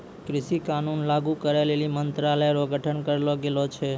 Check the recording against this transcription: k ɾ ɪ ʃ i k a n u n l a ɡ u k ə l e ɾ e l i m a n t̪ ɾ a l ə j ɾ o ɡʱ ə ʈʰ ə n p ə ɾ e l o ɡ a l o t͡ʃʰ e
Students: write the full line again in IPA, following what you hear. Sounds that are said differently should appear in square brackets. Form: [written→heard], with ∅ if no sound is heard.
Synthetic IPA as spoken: k ɾ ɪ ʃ i k a n u n l a ɡ u k ə [l→ɾ] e [ɾ→l] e l i m [a→ə] n t̪ ɾ a l ə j ɾ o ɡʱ ə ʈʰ ə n [p→k] ə ɾ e l o ɡ [a→e] l o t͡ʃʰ e